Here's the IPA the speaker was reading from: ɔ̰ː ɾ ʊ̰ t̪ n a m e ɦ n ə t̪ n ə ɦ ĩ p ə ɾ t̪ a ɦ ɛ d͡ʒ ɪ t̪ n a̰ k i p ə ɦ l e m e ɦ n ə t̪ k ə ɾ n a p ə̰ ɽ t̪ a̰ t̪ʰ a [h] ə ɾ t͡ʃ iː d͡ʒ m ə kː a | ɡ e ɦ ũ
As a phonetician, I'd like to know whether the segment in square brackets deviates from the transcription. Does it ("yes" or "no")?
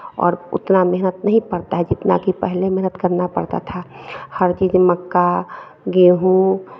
no